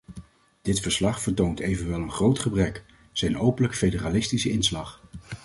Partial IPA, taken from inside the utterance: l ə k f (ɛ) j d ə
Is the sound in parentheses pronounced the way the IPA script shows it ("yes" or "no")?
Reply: no